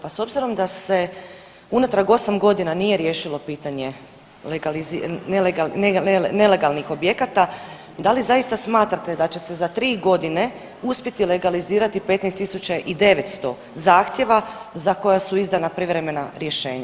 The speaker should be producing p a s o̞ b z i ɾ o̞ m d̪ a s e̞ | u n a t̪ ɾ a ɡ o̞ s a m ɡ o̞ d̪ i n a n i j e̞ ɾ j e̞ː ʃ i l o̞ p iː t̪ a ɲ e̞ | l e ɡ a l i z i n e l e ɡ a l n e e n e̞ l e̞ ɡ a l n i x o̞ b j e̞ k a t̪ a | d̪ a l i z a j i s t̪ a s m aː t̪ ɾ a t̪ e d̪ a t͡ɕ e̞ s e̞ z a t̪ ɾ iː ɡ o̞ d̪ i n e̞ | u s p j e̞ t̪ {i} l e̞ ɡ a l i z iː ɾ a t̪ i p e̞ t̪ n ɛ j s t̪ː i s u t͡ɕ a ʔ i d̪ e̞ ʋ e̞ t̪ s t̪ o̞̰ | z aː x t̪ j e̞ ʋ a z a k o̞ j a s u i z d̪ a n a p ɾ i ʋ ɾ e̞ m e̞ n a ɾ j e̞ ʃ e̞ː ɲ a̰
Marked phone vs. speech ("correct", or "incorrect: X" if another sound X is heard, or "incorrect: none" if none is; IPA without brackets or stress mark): correct